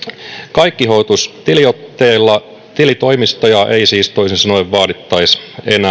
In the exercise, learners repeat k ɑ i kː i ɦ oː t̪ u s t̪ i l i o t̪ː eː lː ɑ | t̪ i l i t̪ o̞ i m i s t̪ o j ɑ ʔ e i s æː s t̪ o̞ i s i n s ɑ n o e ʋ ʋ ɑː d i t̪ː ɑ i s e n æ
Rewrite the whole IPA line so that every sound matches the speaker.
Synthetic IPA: k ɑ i kː i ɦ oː t̪ u s t̪ i l i o t̪ː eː lː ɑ | t̪ i l i t̪ o̞ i m i s t̪ o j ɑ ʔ e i s iː s t̪ o̞ i s i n s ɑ n o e ʋ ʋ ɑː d i t̪ː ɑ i s e n æ